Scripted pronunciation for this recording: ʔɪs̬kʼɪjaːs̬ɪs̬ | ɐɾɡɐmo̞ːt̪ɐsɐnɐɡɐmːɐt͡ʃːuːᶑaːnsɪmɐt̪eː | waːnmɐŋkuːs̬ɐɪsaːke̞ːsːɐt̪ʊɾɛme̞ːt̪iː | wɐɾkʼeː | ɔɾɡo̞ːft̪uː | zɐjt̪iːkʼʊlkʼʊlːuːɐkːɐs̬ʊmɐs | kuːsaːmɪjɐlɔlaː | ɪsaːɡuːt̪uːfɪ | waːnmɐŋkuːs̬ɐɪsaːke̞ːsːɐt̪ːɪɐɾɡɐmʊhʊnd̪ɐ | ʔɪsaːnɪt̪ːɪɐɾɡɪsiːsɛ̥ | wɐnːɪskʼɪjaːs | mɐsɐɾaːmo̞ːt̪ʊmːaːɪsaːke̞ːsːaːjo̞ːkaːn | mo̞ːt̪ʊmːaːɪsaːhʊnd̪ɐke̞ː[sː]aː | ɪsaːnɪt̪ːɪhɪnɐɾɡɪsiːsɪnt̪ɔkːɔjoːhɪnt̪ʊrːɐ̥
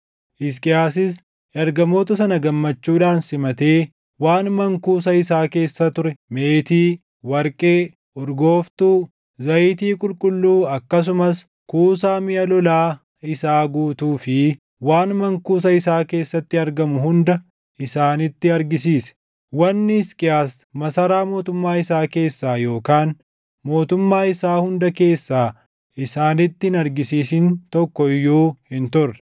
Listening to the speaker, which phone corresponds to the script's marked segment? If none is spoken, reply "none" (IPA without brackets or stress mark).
sː